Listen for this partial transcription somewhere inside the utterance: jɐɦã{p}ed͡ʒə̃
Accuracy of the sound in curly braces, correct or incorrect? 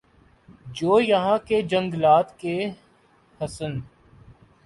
incorrect